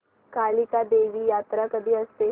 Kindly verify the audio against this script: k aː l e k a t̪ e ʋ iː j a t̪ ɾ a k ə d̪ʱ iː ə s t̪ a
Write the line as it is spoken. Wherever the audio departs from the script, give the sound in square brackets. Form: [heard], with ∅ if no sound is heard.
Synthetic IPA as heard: k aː l [i] k a [d̪] e ʋ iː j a t̪ ɾ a k ə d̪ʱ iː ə s t̪ [e]

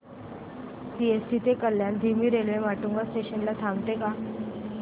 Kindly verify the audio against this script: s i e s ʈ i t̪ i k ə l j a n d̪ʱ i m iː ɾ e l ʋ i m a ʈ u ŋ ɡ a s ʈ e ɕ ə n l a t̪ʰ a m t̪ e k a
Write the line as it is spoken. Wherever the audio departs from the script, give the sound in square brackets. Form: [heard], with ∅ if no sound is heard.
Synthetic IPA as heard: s i e s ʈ i t̪ [e] k ə l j a n d̪ʱ i m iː ɾ e l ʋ [e] m a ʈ u ŋ ɡ a s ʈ e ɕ ə n l a t̪ʰ a m t̪ e k a

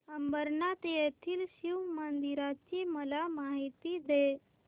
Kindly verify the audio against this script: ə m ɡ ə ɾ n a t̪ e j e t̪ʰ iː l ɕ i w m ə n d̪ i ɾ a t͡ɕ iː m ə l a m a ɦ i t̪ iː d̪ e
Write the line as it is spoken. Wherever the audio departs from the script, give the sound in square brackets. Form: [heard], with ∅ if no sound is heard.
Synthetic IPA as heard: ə m [b] ə ɾ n a t̪ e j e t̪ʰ iː l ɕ i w m ə n d̪ i ɾ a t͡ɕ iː m ə l a m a ɦ i t̪ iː d̪ e

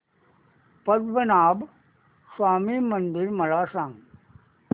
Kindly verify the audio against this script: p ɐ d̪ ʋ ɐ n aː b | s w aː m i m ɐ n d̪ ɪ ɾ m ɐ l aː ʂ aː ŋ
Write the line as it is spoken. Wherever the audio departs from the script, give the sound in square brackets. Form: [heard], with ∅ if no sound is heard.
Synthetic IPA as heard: p ɐ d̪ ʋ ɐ n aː b | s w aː m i m ɐ n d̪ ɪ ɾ m ɐ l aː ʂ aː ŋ

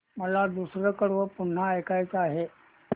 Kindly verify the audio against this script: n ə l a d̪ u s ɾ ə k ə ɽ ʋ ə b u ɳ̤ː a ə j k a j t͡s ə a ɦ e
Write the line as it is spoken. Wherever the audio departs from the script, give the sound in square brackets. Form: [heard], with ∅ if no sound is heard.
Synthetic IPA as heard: [m] ə l a d̪ u s ɾ ə k ə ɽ ʋ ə [p] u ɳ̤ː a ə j k a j t͡s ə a ɦ e

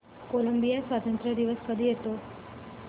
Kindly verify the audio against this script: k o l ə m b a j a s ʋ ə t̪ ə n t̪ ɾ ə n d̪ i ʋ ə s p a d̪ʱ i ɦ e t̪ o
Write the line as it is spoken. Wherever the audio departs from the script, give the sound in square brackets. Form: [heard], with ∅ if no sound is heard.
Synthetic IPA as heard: k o l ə m b [i] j a s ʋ [a] t̪ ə n t̪ ɾ ə [∅] d̪ i ʋ ə s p [ə] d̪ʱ i ɦ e t̪ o

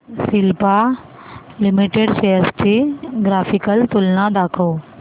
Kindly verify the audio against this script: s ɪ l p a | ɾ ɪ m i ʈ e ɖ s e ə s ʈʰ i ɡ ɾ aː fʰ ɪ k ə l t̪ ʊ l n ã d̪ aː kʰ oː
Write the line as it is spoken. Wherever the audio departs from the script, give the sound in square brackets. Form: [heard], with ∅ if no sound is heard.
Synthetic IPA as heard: s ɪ l p a | [l] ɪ m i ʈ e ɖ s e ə s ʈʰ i ɡ ɾ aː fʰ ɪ k ə l t̪ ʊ l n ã d̪ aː kʰ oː

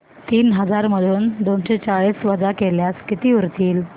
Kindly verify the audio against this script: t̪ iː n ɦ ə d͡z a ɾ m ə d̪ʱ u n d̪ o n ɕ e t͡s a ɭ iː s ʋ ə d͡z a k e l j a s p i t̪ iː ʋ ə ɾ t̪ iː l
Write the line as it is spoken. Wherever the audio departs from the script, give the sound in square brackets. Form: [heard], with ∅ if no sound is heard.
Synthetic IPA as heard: t̪ iː n ɦ ə d͡z a ɾ m ə d̪ʱ [uː] n d̪ o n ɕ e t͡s a ɭ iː s ʋ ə d͡z a k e l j a s [k] i t̪ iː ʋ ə ɾ t̪ iː l

